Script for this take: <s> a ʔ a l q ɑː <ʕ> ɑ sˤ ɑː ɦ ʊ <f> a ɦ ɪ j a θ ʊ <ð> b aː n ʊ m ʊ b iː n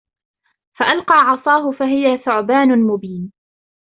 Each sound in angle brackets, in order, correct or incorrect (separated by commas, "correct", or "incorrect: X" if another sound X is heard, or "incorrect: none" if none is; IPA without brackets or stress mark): incorrect: f, correct, correct, incorrect: ʕ